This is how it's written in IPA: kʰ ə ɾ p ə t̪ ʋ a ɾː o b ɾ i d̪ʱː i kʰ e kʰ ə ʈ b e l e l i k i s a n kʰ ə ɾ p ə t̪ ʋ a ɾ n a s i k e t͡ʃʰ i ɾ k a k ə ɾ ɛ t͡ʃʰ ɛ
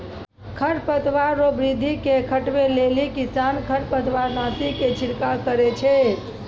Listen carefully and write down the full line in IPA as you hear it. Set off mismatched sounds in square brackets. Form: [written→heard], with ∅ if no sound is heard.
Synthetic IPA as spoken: kʰ ə ɾ p ə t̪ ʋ a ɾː o b ɾ i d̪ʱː i [kʰ→k] e kʰ ə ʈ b e l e l i k i s a n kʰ ə ɾ p ə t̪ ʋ a ɾ n a s i k e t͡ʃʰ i ɾ k a k ə ɾ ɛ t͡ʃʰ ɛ